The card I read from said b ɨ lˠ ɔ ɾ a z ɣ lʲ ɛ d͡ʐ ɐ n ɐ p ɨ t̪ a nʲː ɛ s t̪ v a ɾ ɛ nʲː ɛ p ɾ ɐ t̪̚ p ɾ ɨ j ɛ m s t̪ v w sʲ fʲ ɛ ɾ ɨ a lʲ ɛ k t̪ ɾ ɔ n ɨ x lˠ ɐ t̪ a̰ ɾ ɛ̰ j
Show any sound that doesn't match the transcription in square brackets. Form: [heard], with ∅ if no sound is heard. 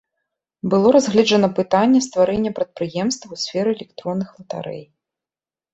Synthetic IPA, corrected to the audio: b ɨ lˠ ɔ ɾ a z ɣ lʲ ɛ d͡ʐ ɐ n ɐ p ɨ t̪ a nʲː ɛ s t̪ v a ɾ ɛ nʲː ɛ p ɾ ɐ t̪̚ p ɾ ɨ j ɛ m s t̪ v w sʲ fʲ ɛ ɾ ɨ [ɛ] lʲ ɛ k t̪ ɾ ɔ [nː] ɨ x lˠ ɐ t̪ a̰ ɾ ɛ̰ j